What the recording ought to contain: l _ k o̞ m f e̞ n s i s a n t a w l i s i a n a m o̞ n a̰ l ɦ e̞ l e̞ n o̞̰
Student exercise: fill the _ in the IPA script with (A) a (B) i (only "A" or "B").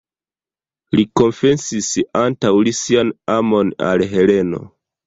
B